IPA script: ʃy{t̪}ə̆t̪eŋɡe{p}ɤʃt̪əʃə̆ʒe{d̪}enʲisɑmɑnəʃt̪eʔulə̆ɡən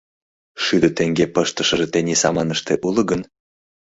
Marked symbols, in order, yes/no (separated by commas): no, yes, no